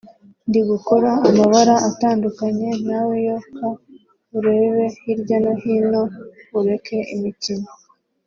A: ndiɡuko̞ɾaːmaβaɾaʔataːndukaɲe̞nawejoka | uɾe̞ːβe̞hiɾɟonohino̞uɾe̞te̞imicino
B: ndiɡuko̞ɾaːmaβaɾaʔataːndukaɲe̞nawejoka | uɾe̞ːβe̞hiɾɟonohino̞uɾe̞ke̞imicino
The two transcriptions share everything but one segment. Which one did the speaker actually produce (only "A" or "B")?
B